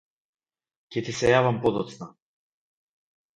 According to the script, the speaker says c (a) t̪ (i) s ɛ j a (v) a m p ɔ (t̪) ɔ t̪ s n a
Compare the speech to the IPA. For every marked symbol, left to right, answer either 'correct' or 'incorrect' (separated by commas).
incorrect, correct, correct, incorrect